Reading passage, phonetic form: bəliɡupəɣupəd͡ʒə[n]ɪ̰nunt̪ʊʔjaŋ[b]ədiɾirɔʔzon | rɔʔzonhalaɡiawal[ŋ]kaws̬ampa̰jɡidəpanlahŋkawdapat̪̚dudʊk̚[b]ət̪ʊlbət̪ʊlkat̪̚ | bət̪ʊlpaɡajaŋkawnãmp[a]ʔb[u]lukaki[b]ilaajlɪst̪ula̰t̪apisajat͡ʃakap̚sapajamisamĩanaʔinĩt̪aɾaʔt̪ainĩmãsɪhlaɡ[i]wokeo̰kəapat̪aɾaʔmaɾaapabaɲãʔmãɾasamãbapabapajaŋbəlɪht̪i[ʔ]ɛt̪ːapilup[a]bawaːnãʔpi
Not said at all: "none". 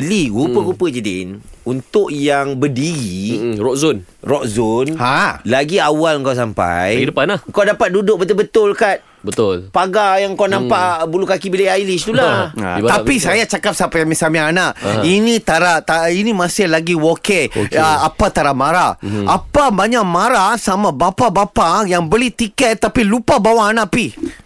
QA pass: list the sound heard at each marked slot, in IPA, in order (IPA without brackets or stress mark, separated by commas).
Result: d, b, ŋ, b, a, u, b, i, k, a